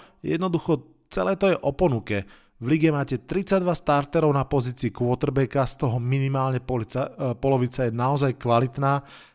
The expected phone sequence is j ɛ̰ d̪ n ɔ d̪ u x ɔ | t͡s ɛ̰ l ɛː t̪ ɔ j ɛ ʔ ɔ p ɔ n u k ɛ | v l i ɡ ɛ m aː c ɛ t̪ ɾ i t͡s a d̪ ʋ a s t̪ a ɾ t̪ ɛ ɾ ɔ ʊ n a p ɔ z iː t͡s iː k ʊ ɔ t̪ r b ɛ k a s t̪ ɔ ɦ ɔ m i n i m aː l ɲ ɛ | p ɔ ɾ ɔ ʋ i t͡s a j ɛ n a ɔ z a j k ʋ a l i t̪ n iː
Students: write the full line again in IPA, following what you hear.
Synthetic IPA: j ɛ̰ d̪ n ɔ d̪ u x ɔ | t͡s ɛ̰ l ɛː t̪ ɔ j ɛ ʔ ɔ p ɔ n u k ɛ | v l i ɡ ɛ m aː c ɛ t̪ ɾ i t͡s a d̪ ʋ a s t̪ a ɾ t̪ ɛ ɾ ɔ ʊ n a p ɔ z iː t͡s iː k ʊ ɔ t̪ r b ɛ k a s t̪ ɔ ɦ ɔ m i n i m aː l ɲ ɛ | p ɔ l ɔ ʋ i t͡s a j ɛ n a ɔ z a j k ʋ a l i t̪ n aː